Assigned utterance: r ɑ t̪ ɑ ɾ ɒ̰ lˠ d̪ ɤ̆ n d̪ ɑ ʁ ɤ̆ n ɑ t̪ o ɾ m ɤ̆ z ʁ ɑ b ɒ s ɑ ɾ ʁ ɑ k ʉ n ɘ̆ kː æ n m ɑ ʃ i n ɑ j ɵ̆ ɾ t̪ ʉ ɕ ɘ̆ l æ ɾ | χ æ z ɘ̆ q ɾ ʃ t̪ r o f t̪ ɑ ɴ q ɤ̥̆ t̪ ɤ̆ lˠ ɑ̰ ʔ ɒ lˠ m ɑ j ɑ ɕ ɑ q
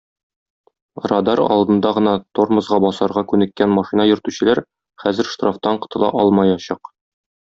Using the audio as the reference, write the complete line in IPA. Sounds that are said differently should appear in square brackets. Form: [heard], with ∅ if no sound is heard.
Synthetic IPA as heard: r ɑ [d̪] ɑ ɾ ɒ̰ lˠ d̪ ɤ̆ n d̪ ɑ ʁ ɤ̆ n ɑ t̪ o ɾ m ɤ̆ z ʁ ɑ b ɒ s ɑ ɾ ʁ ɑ k ʉ n ɘ̆ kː æ n m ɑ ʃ i n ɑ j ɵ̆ ɾ t̪ ʉ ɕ ɘ̆ l æ ɾ | χ æ z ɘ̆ [∅] ɾ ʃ t̪ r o f t̪ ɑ ɴ q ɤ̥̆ t̪ ɤ̆ lˠ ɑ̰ ʔ ɒ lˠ m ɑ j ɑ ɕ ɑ q